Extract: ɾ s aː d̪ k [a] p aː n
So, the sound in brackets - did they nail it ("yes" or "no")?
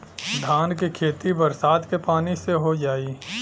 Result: no